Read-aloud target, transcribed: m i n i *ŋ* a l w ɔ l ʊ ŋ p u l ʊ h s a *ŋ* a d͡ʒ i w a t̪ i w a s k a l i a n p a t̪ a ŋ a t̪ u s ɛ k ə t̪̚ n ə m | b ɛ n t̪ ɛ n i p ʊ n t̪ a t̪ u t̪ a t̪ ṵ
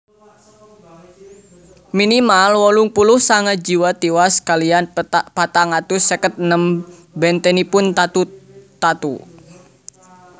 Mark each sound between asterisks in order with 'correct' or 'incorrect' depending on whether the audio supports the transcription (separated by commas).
incorrect, correct